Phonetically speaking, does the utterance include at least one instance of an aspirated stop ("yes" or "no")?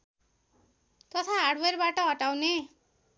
yes